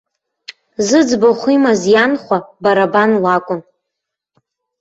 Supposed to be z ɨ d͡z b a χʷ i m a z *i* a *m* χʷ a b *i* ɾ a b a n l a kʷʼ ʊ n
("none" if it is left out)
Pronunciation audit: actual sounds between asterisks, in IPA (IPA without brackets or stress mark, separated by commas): j, n, a